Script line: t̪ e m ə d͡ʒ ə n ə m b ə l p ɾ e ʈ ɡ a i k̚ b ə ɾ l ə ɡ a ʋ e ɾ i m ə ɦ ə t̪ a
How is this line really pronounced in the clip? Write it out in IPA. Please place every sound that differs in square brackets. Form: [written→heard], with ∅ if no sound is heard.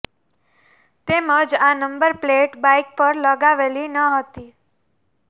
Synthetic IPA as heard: t̪ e m ə d͡ʒ [ə→a] n ə m b ə [l→ɾ] p [ɾ→l] e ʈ [ɡ→b] a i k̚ [b→p] ə ɾ l ə ɡ a ʋ e [ɾ→l] i [m→n] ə ɦ ə t̪ [a→i]